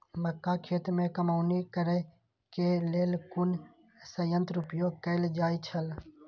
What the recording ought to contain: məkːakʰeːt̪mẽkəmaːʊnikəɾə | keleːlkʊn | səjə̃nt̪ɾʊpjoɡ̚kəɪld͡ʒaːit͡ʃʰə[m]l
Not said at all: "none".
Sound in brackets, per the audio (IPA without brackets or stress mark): none